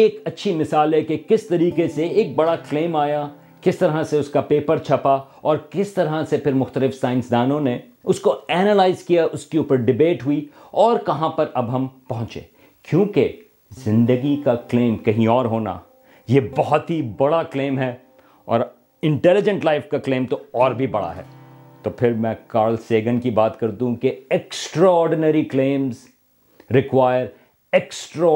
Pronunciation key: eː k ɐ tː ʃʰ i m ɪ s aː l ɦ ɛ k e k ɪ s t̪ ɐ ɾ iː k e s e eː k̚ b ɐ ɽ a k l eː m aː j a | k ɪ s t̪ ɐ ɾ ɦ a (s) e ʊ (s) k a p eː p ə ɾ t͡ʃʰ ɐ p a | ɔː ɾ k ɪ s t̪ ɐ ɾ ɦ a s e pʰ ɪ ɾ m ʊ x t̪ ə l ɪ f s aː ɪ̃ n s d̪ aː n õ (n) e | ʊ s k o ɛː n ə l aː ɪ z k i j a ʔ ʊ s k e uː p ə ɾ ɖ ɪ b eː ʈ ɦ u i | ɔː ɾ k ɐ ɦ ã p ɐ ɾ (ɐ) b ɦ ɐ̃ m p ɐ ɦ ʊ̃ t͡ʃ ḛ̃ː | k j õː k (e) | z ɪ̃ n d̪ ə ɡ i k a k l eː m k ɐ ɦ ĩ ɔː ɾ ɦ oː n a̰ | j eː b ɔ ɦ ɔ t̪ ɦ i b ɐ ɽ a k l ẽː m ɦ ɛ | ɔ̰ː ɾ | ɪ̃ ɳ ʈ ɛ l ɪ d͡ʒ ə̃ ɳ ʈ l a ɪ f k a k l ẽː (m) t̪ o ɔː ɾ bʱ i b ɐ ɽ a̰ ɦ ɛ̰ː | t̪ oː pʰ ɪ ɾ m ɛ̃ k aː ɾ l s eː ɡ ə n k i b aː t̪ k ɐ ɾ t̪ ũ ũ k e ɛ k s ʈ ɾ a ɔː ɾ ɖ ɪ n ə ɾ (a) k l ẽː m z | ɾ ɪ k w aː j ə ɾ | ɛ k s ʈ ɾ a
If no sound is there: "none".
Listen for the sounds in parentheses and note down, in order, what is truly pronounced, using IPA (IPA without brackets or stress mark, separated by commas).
s, s, n, ɐ, e, m, i